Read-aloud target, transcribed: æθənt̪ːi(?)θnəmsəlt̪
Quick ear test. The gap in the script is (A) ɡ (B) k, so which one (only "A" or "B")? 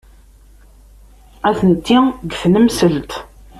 A